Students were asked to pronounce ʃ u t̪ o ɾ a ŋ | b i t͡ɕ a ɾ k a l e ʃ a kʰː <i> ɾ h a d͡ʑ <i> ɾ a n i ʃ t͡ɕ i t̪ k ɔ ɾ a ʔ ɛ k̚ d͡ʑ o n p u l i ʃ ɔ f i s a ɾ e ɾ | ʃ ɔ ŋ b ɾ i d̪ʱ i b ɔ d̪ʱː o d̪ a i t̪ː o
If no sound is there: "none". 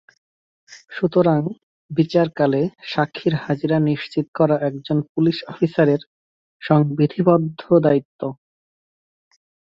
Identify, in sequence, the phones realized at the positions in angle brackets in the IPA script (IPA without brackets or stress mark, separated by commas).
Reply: i, i